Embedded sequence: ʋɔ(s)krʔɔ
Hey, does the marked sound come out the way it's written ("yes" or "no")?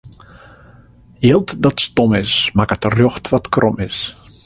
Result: no